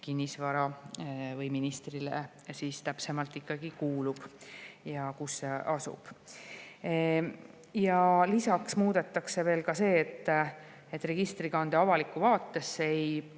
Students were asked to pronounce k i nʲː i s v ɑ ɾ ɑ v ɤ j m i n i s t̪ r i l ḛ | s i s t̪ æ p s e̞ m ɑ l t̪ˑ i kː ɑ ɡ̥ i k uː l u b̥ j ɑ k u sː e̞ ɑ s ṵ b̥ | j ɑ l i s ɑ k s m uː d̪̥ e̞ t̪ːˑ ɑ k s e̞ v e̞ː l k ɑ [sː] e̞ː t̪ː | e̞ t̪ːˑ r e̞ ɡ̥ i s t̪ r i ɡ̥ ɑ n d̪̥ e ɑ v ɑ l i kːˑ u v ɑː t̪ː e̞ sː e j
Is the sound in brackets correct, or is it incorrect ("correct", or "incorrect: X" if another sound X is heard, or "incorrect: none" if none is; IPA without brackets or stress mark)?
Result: incorrect: s